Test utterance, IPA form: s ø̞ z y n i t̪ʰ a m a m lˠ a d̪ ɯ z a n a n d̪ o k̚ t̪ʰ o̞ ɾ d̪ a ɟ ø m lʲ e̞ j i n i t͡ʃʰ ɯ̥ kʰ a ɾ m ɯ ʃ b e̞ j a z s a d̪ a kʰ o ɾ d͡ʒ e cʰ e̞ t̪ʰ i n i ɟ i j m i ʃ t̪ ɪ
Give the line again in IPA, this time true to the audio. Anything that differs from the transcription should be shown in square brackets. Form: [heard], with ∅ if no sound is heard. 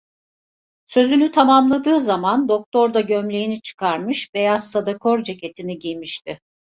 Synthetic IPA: s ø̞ z y n [y] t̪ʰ a m a m lˠ a d̪ [ɯː] z a [m] a n d̪ o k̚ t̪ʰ o̞ ɾ d̪ a ɟ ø m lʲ e̞ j i n i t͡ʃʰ ɯ̥ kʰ a ɾ m ɯ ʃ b e̞ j a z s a d̪ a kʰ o ɾ d͡ʒ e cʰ e̞ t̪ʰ i n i ɟ i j m i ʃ t̪ ɪ